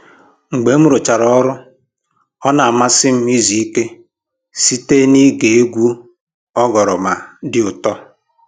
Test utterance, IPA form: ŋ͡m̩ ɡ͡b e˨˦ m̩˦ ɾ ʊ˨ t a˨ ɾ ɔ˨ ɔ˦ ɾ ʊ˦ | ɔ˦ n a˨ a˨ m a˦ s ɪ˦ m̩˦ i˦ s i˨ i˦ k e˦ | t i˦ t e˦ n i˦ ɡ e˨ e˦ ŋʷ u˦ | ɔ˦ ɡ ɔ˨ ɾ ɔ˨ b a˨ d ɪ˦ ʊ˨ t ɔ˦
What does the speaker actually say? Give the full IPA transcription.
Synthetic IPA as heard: ŋ͡m̩ ɡ͡b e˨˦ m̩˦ ɾ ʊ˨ t͡ʃ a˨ ɾ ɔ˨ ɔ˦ ɾ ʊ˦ | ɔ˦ n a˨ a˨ m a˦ s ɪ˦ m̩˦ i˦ z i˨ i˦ k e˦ | s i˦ t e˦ n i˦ ɡ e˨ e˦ ɡʷ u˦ | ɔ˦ ɡ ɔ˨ ɾ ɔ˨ m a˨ d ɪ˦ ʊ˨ t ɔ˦